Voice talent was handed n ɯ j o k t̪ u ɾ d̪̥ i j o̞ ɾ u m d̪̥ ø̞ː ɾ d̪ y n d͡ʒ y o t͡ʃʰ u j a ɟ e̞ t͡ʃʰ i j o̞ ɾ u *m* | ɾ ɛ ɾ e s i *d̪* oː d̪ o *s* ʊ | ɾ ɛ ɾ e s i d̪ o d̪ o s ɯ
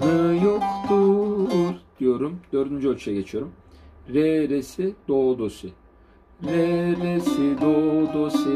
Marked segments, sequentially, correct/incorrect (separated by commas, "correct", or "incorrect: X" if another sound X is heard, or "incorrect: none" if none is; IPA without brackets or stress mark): correct, correct, correct